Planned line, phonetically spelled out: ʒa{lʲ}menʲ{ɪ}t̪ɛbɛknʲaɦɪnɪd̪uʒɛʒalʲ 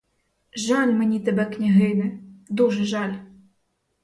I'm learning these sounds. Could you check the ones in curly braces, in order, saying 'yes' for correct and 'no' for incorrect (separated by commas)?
yes, no